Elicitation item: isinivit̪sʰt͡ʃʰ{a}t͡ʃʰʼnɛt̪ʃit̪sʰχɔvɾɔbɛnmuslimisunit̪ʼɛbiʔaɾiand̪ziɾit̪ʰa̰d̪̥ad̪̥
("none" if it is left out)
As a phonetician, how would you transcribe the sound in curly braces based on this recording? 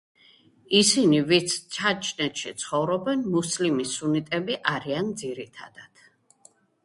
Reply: a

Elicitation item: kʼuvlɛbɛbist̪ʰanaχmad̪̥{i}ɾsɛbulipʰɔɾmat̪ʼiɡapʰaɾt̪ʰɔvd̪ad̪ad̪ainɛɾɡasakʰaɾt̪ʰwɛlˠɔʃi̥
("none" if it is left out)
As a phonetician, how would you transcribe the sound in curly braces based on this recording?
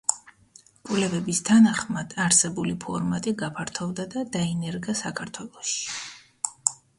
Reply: a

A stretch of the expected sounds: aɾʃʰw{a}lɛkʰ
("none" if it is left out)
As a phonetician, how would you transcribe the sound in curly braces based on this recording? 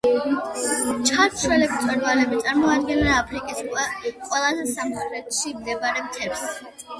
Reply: ɛ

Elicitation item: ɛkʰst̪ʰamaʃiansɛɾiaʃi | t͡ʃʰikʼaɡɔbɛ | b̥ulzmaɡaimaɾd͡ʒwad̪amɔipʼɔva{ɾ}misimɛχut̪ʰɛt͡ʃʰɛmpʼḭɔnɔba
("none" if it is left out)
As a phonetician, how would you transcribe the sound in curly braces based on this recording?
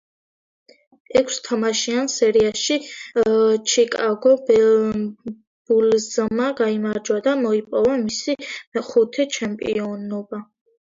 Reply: none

